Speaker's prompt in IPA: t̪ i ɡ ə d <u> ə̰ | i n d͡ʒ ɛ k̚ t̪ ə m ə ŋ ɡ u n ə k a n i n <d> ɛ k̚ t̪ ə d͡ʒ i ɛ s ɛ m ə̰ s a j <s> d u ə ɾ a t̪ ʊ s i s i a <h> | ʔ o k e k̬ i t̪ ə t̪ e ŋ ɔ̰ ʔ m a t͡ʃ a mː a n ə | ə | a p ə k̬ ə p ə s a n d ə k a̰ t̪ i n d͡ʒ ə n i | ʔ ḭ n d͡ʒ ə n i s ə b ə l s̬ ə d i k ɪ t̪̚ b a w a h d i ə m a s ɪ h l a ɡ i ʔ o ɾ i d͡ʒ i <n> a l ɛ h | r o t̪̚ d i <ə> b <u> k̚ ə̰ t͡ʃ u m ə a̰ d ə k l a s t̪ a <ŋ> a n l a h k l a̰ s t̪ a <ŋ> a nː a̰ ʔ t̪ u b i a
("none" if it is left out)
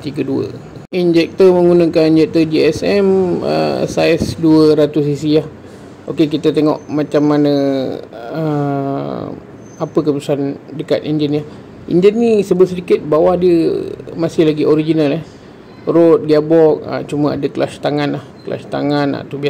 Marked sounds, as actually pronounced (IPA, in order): u, d͡ʒ, s, h, n, a, ɔ, ŋ, ŋ

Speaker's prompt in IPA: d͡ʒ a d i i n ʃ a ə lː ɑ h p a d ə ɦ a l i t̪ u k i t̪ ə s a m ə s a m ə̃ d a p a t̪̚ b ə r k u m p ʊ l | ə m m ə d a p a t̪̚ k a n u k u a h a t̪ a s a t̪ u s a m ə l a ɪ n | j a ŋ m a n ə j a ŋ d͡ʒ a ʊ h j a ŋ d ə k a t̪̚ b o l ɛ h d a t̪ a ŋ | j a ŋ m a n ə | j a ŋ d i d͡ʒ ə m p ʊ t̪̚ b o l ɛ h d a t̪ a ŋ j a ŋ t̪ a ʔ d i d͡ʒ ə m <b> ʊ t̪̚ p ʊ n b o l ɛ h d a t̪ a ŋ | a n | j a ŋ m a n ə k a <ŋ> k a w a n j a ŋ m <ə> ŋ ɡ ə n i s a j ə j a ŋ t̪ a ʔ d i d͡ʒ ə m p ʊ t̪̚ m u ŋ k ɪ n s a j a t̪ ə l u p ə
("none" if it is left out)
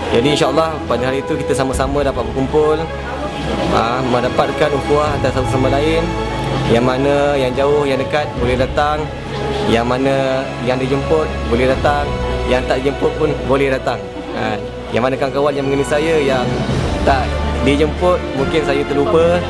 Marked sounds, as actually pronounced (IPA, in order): p, ŋ, ə

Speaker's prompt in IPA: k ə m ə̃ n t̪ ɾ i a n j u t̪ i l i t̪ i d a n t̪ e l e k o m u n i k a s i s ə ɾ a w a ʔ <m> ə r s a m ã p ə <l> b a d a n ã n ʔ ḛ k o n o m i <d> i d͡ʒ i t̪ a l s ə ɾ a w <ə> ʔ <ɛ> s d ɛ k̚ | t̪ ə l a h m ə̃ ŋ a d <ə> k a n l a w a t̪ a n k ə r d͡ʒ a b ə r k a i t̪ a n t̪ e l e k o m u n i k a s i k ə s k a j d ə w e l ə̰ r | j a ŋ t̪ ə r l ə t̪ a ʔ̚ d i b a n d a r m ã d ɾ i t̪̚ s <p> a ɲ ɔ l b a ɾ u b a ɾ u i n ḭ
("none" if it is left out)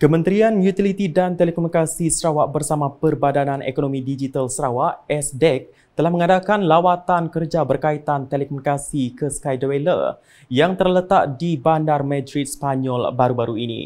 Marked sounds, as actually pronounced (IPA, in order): b, r, d, a, ɛ, a, p

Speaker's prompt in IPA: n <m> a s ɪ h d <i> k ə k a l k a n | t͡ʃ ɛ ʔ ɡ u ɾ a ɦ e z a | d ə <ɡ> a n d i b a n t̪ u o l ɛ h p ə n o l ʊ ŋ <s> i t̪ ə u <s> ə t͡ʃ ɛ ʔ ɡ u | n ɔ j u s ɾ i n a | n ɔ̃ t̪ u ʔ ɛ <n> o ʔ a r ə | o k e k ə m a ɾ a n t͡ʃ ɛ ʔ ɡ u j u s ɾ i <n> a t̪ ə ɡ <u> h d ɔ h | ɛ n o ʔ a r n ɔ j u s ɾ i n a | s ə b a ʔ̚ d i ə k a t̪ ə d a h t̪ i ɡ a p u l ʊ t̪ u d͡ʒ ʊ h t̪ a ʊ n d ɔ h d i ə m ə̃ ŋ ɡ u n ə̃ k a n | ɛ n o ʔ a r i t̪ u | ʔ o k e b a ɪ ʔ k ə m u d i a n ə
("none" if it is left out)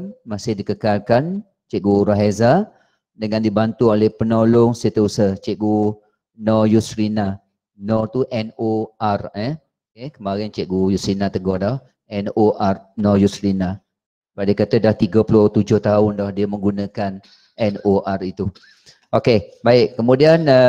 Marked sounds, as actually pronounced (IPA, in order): m, i, ŋ, s, s, n, n, ɔ

